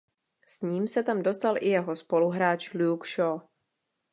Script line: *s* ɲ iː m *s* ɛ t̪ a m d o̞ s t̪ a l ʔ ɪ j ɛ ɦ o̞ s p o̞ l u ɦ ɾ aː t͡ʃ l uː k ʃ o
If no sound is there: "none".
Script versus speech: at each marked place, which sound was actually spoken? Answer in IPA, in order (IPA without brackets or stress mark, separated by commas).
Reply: s, s